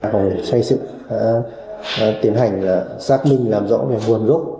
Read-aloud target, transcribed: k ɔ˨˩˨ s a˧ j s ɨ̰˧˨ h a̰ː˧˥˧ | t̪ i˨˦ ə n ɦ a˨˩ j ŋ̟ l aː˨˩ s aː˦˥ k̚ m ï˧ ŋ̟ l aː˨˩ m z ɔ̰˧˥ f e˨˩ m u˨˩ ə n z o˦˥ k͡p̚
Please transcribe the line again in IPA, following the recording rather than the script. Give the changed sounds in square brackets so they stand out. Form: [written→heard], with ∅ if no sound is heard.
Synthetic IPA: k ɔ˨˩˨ s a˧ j s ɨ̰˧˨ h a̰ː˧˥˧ | t̪ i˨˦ ə n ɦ a˨˩ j ŋ̟ l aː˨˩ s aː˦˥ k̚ m ï˧ ŋ̟ l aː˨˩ m z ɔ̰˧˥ [f→v] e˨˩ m u˨˩ ə n z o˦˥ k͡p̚

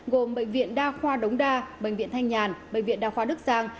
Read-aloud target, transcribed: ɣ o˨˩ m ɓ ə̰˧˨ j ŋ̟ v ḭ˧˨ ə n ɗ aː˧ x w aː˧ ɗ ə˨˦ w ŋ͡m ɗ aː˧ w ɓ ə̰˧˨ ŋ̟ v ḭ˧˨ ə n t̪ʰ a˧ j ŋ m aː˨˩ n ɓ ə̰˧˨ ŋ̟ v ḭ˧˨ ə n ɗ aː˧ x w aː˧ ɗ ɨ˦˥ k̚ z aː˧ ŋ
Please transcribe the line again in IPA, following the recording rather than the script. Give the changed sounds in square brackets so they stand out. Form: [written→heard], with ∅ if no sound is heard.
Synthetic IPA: ɣ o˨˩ m ɓ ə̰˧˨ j ŋ̟ v ḭ˧˨ ə n ɗ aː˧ x w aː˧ ɗ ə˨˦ w ŋ͡m ɗ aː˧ [w→∅] ɓ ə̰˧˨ ŋ̟ v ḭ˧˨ ə n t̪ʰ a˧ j ŋ [m→ɲ] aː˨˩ n ɓ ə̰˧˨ ŋ̟ v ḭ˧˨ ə n ɗ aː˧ x w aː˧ ɗ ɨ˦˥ k̚ z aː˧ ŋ

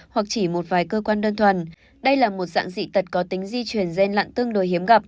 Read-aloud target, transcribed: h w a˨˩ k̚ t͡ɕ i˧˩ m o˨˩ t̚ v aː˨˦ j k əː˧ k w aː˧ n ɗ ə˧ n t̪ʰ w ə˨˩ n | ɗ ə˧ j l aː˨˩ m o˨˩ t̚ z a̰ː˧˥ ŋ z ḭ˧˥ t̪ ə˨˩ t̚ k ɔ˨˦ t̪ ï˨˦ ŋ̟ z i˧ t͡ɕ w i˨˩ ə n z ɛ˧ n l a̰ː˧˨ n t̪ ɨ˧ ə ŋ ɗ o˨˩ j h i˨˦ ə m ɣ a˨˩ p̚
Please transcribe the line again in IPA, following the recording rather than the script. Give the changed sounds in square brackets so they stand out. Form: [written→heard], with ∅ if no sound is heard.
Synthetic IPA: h w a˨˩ k̚ t͡ɕ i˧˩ m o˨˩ t̚ v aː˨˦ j k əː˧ k w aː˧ n ɗ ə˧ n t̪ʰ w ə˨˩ n | ɗ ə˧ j l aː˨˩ m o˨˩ t̚ z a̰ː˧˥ ŋ z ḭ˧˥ t̪ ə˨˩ t̚ k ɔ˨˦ t̪ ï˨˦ ŋ̟ z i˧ t͡ɕ w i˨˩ ə n z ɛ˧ n l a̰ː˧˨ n t̪ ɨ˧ ə ŋ ɗ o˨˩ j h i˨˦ ə m ɣ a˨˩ p̚

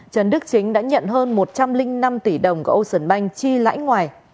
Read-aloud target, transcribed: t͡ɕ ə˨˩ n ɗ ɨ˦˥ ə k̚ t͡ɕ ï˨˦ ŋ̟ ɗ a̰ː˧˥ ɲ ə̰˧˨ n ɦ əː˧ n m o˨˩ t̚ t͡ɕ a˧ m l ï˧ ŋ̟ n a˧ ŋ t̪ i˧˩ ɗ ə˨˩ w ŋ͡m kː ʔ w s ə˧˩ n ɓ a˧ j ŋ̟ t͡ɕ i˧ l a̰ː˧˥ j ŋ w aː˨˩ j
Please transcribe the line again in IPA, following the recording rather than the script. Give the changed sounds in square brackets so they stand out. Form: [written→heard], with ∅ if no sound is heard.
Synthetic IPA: t͡ɕ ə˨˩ n ɗ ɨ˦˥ ə k̚ t͡ɕ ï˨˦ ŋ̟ ɗ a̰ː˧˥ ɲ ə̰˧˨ n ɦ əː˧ n m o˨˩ t̚ t͡ɕ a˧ m l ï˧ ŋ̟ n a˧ [ŋ→m] t̪ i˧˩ ɗ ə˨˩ w ŋ͡m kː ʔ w s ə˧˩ n ɓ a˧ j ŋ̟ t͡ɕ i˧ l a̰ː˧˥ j ŋ w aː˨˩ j

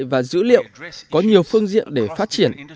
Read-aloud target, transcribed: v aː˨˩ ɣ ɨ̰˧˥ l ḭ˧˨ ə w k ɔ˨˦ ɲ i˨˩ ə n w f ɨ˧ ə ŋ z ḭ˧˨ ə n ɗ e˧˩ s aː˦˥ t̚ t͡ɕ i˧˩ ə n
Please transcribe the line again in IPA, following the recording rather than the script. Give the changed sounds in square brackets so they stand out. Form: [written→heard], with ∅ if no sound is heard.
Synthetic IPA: v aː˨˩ [ɣ→z] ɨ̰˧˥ l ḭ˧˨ ə w k ɔ˨˦ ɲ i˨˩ ə [n→∅] w f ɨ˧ ə ŋ z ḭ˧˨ ə n ɗ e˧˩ [s→f] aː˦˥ t̚ t͡ɕ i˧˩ ə n

